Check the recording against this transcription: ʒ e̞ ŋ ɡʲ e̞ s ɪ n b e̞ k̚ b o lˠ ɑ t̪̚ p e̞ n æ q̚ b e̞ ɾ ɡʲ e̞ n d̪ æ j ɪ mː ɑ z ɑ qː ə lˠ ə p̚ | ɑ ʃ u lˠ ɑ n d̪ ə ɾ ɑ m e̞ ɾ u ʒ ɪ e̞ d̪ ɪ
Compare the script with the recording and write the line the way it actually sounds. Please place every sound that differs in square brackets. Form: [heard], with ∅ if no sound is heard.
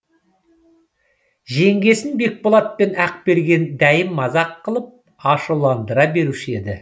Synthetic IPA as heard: ʒ e̞ ŋ ɡʲ e̞ s ɪ n b e̞ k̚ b o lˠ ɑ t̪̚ p e̞ n æ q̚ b e̞ ɾ ɡʲ e̞ n d̪ æ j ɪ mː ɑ z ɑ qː ə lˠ ə p̚ | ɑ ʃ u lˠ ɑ n d̪ ə ɾ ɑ [b] e̞ ɾ u [ʃ] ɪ e̞ d̪ ɪ

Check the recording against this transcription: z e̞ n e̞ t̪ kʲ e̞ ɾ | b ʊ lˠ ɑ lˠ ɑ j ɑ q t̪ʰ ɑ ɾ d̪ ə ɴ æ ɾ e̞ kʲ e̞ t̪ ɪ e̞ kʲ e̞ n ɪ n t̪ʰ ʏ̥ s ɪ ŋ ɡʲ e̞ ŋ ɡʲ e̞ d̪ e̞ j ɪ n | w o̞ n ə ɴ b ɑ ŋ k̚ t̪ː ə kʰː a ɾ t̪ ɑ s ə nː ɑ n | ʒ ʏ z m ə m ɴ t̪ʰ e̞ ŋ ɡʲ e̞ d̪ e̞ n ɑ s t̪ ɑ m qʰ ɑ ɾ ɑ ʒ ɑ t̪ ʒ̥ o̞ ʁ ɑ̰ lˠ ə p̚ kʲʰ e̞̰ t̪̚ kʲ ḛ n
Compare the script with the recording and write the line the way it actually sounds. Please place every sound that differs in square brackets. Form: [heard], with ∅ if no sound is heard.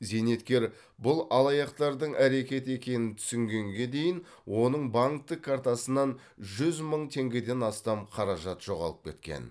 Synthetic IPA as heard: z e̞ n e̞ t̪ kʲ e̞ ɾ | b ʊ lˠ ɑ lˠ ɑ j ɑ q [t̪] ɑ ɾ d̪ ə ɴ æ ɾ e̞ kʲ e̞ t̪ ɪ e̞ kʲ e̞ n ɪ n t̪ʰ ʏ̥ s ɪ ŋ ɡʲ e̞ ŋ ɡʲ e̞ d̪ e̞ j ɪ n | w o̞ n ə ɴ b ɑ ŋ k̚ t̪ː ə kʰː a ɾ t̪ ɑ s ə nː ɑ n | ʒ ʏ z m ə [∅] ɴ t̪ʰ e̞ ŋ ɡʲ e̞ d̪ e̞ n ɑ s t̪ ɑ m qʰ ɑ ɾ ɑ ʒ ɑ t̪ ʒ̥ o̞ ʁ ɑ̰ lˠ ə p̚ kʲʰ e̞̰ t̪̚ kʲ ḛ n

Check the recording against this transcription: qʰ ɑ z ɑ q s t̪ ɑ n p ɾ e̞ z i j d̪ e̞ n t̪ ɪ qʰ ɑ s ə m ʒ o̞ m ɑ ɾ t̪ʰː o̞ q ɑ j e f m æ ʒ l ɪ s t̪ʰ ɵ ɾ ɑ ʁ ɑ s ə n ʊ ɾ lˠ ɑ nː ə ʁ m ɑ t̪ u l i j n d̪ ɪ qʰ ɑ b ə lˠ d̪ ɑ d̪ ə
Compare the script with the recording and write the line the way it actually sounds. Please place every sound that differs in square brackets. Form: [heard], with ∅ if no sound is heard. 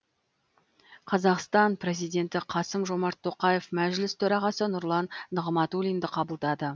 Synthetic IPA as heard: qʰ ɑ z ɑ q s t̪ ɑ n p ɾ e̞ z i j d̪ e̞ n t̪ ɪ qʰ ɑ s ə m ʒ o̞ m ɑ ɾ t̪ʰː o̞ q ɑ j e f m æ ʒ l ɪ s t̪ʰ ɵ ɾ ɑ ʁ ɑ s ə n ʊ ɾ lˠ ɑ nː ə ʁ m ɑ t̪ u l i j n d̪ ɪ qʰ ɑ b ə lˠ d̪ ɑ d̪ ə

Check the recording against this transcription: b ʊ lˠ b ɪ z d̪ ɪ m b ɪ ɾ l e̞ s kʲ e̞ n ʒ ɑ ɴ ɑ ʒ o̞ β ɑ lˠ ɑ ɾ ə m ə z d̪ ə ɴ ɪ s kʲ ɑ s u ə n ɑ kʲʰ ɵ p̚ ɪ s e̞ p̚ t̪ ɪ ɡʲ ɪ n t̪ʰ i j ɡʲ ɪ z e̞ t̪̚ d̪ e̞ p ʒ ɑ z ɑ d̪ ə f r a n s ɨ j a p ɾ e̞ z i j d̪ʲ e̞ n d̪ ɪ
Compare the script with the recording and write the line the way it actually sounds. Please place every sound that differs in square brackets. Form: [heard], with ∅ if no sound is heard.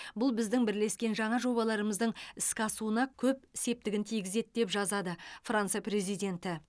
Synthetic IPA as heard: b ʊ lˠ b ɪ z d̪ ɪ [ŋ] b ɪ ɾ l e̞ s kʲ e̞ n ʒ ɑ ɴ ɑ ʒ o̞ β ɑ lˠ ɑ ɾ ə m ə z d̪ ə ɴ ɪ s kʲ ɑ s u ə n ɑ kʲʰ ɵ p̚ ɪ s e̞ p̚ t̪ ɪ ɡʲ ɪ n t̪ʰ i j ɡʲ ɪ z e̞ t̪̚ d̪ e̞ p ʒ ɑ z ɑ d̪ ə f r a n s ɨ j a p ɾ e̞ z i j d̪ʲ e̞ n [t̪] ɪ

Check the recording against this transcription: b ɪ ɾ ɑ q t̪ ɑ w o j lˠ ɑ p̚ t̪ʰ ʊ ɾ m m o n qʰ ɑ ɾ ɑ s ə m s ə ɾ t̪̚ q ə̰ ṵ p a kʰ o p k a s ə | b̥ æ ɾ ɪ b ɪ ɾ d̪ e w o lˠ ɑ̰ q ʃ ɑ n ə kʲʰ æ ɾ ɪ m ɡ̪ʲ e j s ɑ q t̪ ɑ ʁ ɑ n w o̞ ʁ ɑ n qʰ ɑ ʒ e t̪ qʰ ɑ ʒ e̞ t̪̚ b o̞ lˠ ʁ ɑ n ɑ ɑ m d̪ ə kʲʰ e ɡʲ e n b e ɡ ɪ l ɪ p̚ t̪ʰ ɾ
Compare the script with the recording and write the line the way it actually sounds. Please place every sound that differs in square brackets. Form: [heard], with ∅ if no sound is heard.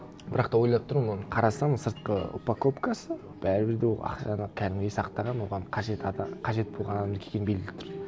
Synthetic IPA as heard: b ɪ ɾ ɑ q t̪ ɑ w o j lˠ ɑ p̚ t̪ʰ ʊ ɾ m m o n qʰ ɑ ɾ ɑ s [ɑ] m s ə ɾ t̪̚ q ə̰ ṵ p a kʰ o p k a s ə | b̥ æ ɾ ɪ b ɪ ɾ d̪ e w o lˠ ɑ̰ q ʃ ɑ n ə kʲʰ æ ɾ ɪ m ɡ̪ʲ e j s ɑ q t̪ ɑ ʁ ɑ n w o̞ ʁ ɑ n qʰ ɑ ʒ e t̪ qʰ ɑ ʒ e̞ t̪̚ b o̞ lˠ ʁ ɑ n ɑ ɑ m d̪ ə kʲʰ e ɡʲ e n b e ɡ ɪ l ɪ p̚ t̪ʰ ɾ

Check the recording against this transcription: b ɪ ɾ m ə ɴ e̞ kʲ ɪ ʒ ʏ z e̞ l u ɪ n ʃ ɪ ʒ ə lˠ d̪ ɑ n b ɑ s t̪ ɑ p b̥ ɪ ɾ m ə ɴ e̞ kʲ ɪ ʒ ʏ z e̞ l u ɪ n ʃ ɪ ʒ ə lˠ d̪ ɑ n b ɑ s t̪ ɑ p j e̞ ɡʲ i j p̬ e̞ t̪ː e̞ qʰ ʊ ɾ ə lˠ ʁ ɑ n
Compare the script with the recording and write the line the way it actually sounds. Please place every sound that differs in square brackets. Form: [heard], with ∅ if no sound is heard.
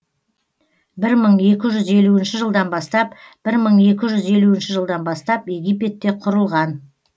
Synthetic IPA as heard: b ɪ ɾ m ə ɴ e̞ kʲ ɪ ʒ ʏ z e̞ l u ɪ n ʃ ɪ ʒ ə lˠ d̪ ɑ n b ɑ s t̪ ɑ p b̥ ɪ ɾ m ə ɴ e̞ kʲ ɪ ʒ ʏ z e̞ l u ɪ n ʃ ɪ ʒ ə lˠ d̪ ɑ n b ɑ s t̪ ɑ p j e̞ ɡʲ i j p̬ e̞ t̪ː e̞ qʰ ʊ ɾ ə lˠ ʁ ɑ n

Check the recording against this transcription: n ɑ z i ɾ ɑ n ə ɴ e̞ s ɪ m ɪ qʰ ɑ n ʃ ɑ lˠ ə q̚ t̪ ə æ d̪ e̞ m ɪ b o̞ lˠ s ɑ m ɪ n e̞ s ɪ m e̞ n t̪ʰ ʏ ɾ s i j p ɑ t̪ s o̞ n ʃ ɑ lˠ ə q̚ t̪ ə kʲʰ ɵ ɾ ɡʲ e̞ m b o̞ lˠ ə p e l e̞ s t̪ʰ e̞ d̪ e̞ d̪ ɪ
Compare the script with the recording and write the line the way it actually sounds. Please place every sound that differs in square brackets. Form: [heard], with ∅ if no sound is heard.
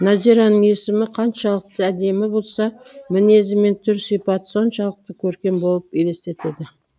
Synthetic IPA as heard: n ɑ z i ɾ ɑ n ə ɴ e̞ s ɪ m ɪ qʰ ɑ n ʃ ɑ lˠ ə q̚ t̪ ə æ d̪ e̞ m ɪ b o̞ lˠ s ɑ m ɪ n e̞ [z] ɪ m e̞ n t̪ʰ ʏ ɾ s i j p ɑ t̪ s o̞ n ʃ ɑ lˠ ə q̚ t̪ ə kʲʰ ɵ ɾ [kʲ] e̞ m b o̞ lˠ ə p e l e̞ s [t̪] e̞ [t̪] e̞ d̪ ɪ

